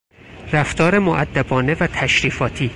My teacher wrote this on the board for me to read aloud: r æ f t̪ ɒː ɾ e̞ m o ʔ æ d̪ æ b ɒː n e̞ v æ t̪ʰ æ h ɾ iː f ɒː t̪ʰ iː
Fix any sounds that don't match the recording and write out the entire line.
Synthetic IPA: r æ f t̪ ɒː ɾ e̞ m o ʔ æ d̪ː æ b ɒː n e̞ v æ t̪ʰ æ ʃ ɾ iː f ɒː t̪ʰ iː